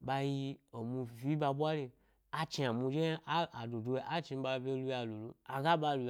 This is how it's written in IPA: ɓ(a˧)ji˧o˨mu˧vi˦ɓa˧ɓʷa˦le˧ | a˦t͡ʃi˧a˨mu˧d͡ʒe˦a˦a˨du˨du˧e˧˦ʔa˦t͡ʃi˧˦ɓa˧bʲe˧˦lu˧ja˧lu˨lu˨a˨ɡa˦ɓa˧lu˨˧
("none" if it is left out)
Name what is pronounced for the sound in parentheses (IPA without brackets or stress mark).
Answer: a˧